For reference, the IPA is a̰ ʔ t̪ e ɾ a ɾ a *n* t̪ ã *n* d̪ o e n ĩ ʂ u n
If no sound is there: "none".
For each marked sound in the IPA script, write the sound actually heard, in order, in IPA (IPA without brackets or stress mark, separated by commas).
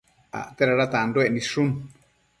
none, n